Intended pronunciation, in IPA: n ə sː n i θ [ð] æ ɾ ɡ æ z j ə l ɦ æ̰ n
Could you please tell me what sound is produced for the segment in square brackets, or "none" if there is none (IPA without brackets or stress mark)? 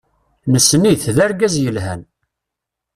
ð